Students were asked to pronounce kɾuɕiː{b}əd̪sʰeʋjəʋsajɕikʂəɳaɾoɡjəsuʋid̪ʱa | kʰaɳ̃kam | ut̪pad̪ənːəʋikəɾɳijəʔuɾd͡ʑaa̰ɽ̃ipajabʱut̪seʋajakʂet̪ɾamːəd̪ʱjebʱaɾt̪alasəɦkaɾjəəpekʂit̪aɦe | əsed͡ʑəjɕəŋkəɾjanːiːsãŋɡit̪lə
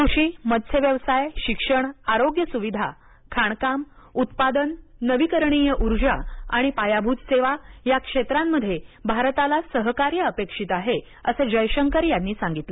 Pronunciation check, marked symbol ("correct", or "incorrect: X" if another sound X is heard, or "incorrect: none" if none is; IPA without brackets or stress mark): incorrect: m